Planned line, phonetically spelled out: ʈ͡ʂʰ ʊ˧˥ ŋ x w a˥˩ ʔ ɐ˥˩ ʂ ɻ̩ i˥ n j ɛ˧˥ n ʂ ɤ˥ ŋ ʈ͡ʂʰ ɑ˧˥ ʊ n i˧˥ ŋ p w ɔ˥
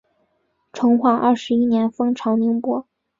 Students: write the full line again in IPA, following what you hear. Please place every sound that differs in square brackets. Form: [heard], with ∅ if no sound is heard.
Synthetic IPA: ʈ͡ʂʰ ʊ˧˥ ŋ x w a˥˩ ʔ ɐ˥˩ ʂ ɻ̩ i˥ n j ɛ˧˥ n [f] ɤ˥ ŋ ʈ͡ʂʰ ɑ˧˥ ʊ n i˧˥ ŋ p w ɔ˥